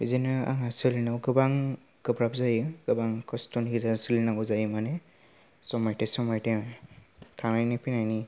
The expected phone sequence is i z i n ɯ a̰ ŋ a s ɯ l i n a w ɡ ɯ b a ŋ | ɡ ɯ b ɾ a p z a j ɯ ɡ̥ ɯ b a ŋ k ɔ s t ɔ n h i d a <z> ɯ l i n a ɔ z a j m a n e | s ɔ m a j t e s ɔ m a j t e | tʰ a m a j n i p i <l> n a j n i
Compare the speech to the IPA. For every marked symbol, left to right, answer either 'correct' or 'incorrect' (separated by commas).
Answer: incorrect, incorrect